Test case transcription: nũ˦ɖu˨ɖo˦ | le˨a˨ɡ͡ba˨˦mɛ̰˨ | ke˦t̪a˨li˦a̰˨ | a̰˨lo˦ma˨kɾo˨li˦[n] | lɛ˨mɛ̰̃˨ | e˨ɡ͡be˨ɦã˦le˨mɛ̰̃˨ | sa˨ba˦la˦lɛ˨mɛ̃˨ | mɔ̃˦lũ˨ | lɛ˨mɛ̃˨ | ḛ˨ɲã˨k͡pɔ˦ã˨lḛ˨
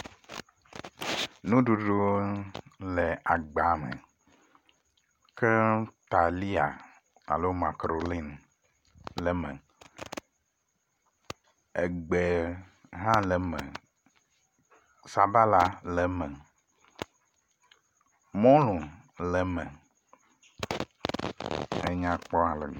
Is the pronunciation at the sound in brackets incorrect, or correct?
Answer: correct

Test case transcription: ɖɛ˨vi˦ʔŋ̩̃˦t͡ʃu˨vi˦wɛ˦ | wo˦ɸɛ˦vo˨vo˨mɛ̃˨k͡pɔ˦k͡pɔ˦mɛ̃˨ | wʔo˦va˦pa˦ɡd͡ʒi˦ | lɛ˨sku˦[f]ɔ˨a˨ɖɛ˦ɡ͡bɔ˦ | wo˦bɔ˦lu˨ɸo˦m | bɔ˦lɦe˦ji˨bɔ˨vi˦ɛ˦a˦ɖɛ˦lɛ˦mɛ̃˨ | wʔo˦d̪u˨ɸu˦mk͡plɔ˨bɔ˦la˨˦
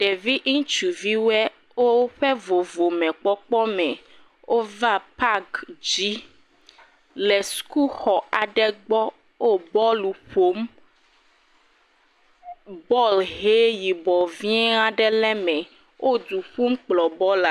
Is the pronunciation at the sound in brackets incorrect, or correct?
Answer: incorrect: x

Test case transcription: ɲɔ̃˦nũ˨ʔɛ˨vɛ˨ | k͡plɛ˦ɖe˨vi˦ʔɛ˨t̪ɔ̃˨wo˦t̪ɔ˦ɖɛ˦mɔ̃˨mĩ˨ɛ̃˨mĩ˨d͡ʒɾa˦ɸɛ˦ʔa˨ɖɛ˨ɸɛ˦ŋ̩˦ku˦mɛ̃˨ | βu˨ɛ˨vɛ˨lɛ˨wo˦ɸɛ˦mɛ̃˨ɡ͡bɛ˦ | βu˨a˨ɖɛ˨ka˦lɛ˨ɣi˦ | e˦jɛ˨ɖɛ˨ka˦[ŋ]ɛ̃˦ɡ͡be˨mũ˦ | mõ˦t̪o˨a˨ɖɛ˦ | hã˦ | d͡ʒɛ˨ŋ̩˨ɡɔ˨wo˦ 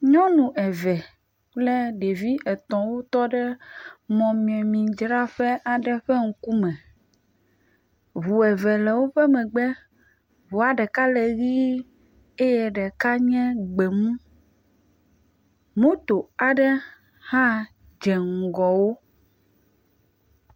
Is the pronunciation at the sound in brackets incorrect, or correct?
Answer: incorrect: ɲ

